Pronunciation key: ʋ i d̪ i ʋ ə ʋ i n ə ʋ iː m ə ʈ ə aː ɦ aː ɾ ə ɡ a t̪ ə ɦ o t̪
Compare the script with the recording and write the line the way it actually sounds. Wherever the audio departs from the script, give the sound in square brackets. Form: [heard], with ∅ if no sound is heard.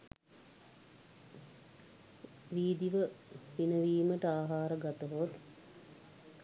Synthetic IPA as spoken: ʋ [iː] d̪ i ʋ ə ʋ i n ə ʋ iː m ə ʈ ə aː ɦ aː ɾ ə ɡ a t̪ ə ɦ o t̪